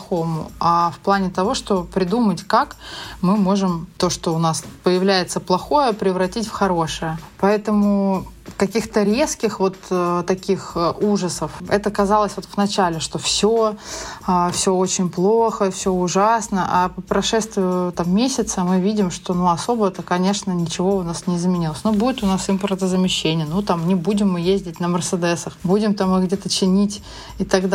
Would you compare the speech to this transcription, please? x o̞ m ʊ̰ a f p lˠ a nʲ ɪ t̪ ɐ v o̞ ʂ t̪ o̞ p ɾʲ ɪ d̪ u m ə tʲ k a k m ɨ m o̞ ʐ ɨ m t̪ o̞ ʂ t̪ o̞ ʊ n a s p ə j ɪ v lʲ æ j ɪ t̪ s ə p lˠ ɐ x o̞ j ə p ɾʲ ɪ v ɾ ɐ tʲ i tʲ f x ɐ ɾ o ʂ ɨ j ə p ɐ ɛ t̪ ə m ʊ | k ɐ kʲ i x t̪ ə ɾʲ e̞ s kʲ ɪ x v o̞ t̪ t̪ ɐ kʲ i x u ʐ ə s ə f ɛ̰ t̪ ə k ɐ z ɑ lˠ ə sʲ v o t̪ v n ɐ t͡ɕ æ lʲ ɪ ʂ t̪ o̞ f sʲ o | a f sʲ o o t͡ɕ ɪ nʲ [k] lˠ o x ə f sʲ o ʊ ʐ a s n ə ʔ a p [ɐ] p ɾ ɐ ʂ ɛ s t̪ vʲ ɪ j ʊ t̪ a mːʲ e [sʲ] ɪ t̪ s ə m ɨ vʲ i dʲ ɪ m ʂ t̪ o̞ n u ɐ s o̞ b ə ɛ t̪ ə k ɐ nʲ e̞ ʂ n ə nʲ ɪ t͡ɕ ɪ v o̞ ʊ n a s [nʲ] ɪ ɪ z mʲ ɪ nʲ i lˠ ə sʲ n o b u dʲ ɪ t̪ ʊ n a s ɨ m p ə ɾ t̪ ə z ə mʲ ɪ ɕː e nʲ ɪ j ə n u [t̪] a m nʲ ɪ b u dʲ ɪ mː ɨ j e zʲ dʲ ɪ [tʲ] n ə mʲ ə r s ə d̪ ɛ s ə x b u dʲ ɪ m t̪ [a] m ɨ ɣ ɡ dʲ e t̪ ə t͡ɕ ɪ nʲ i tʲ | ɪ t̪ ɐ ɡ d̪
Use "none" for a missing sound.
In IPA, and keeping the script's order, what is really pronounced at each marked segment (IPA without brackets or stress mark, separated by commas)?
p, ə, sʲ, nʲ, t̪, tʲ, a